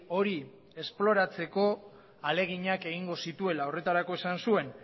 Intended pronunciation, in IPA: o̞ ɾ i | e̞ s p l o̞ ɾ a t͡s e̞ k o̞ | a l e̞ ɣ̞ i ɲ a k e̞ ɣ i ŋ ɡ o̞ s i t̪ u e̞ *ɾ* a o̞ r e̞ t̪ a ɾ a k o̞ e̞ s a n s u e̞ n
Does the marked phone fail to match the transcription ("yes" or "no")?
yes